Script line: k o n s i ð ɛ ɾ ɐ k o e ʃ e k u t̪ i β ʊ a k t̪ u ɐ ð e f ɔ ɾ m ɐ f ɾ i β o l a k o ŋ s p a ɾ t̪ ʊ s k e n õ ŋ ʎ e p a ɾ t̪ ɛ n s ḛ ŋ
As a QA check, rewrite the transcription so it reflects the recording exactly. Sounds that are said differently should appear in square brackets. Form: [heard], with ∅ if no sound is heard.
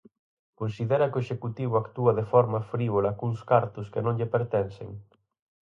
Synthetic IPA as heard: k o n s i ð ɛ ɾ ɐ k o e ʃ e k u t̪ i β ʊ a k t̪ u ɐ ð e f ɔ ɾ m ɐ f ɾ i β o l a k [u] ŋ s [k] a ɾ t̪ ʊ s k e n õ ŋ ʎ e p [e] ɾ t̪ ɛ n s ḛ ŋ

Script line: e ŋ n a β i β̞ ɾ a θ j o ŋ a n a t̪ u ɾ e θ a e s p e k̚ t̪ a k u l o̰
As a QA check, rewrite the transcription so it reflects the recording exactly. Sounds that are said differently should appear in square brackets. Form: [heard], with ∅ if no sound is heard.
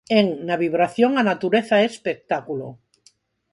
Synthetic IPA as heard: e ŋ n a β i β̞ ɾ a θ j o ŋ a n a t̪ u ɾ e θ a e s p e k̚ t̪ a k u l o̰

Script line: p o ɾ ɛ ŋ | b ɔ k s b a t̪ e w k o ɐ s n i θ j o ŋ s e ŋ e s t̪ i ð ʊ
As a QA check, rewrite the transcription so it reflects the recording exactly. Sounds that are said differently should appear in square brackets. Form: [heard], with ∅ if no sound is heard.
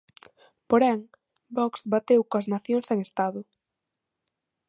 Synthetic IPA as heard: p o ɾ ɛ ŋ | b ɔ k s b a t̪ e w k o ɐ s n [a] θ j o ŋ s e ŋ e s t̪ [a] ð ʊ

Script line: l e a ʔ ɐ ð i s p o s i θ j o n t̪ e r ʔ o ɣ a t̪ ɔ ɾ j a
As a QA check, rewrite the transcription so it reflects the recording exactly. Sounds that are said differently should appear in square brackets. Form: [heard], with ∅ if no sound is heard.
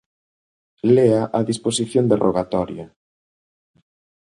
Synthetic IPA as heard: l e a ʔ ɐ ð i s p o s i θ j o n [d̪] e r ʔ o ɣ a t̪ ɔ ɾ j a

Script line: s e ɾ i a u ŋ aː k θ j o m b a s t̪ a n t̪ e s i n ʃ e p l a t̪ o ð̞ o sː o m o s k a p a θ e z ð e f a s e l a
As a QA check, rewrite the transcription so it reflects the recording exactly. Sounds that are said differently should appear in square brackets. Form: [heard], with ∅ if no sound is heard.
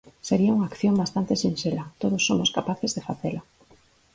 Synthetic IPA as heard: s e ɾ i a u ŋ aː k θ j o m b a s t̪ a n t̪ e s i n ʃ e [∅] l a t̪ o ð̞ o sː o m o s k a p a θ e z ð e f a [θ] e l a

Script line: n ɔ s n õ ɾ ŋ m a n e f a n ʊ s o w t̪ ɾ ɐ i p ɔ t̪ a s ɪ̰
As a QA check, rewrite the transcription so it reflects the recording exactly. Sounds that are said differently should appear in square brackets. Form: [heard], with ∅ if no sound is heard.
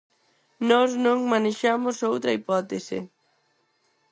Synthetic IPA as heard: n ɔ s n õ [∅] ŋ m a n e [ʃ] a [m] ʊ s o w t̪ ɾ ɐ i p ɔ t̪ [e] s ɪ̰

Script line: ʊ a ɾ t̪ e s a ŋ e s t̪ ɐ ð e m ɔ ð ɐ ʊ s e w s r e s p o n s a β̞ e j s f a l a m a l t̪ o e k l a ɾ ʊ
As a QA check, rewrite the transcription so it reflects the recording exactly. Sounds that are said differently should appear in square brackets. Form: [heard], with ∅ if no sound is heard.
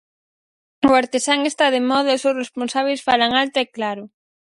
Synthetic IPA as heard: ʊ a ɾ t̪ e s a ŋ e s t̪ [a] ð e m ɔ ð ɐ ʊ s e w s r e s p o n s a β̞ e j s f a l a [ŋ] a l t̪ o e k l a ɾ ʊ

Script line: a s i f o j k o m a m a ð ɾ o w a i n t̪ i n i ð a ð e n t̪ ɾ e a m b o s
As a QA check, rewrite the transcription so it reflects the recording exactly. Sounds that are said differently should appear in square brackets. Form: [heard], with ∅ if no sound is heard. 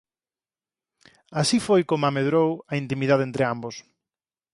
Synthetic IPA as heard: a s i f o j k o m a m [e] ð ɾ o w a i n t̪ i [m] i ð a ð e n t̪ ɾ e a m b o s

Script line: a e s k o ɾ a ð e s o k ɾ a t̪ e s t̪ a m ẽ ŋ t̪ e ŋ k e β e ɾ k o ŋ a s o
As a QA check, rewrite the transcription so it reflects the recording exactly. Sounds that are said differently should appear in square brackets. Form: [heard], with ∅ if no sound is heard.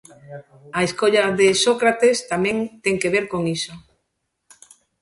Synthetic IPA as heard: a e s k o [ʎ] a ð e s o k ɾ a t̪ e s t̪ a m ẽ ŋ t̪ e ŋ k e β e ɾ k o ŋ [i] s o

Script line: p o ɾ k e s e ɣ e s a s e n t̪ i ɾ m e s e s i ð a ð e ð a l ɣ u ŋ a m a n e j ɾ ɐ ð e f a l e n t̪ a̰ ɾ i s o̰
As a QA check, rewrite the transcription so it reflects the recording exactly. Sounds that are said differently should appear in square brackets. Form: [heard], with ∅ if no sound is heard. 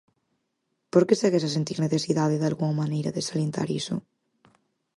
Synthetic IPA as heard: p o ɾ k e s e ɣ e s a s e n t̪ i ɾ [n] e [θ] e s i ð a ð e ð a l ɣ u ŋ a m a n e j ɾ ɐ ð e [s] a l e n t̪ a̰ ɾ i s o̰

